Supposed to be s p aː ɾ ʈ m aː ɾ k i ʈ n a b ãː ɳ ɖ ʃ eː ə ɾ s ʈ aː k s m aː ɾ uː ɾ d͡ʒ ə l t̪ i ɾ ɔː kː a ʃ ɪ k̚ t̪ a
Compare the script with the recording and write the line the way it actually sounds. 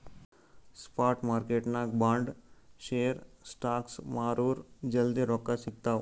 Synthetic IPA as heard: s p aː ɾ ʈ m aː ɾ k e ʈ n a b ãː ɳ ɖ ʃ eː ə ɾ s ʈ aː k s m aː ɾ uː ɾ d͡ʒ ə l d̪ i ɾ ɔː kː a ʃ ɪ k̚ t̪ a